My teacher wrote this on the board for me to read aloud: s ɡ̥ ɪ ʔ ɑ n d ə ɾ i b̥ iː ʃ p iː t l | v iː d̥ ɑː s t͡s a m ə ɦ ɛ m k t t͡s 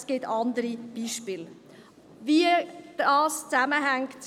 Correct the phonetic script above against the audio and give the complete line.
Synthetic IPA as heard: s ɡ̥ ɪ t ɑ n d ə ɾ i b̥ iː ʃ p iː l | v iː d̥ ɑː s t͡s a m ə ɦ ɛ ŋ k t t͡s